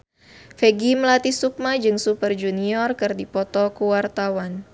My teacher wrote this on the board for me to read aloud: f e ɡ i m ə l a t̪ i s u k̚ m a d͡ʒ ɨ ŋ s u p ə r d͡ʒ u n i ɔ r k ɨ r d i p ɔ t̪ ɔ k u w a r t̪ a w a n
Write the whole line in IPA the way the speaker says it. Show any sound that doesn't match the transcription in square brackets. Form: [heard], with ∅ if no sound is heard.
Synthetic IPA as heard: f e ɡ i m ə l a t̪ i s u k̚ m a d͡ʒ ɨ ŋ s u p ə r d͡ʒ u n i ɔ r k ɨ r d i p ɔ t̪ ɔ k u w a r t̪ a w a n